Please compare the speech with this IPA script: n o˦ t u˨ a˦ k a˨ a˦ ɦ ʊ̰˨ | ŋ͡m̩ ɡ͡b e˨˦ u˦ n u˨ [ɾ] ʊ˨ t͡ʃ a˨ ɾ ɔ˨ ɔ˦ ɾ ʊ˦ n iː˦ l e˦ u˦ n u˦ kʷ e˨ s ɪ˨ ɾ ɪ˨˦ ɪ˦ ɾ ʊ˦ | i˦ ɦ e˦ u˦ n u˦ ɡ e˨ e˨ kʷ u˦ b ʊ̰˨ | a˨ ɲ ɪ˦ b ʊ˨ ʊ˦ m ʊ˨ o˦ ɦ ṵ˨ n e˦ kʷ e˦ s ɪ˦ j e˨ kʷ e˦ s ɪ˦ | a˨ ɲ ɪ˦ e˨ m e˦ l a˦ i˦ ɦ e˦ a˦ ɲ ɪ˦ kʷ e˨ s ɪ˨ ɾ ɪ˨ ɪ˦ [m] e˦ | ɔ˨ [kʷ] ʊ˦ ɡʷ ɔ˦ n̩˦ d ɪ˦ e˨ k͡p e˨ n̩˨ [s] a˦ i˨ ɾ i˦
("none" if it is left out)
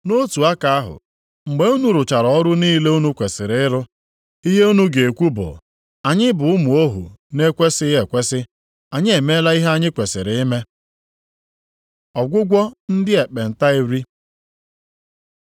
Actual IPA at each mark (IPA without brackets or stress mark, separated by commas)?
ɾ, m, ɡʷ, t